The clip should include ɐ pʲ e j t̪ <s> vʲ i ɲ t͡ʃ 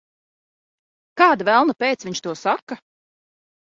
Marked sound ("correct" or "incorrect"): correct